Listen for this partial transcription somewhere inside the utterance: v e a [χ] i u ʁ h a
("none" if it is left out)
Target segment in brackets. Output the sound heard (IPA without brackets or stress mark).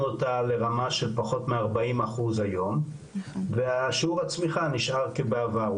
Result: ʃ